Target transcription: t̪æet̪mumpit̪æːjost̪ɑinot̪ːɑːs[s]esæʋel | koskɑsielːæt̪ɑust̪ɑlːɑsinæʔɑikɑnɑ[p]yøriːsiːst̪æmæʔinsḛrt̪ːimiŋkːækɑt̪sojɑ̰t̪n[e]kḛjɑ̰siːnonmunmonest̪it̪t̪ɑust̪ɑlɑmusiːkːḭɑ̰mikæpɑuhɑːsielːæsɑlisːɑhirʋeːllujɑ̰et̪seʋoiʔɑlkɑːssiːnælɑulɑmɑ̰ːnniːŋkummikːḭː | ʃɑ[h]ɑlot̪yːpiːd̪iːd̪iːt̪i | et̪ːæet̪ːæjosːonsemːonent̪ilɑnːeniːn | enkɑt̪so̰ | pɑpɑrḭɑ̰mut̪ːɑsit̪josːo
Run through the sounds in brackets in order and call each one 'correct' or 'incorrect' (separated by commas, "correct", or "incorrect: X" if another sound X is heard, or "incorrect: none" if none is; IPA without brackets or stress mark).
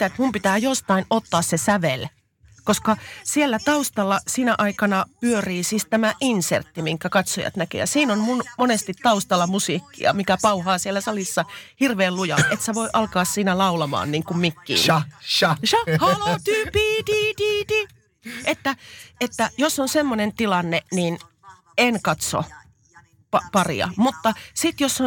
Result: correct, correct, incorrect: æ, correct